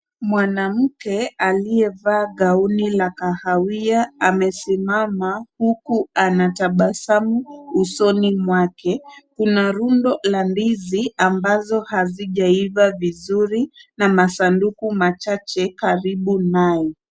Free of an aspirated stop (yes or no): yes